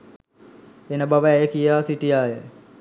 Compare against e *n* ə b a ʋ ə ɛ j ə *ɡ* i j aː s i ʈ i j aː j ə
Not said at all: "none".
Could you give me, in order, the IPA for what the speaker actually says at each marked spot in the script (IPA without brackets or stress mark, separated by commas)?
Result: n, k